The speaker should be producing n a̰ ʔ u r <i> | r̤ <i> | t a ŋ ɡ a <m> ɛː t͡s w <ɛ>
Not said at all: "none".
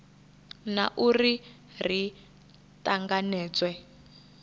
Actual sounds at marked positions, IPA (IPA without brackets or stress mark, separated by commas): i, i, n, ɛ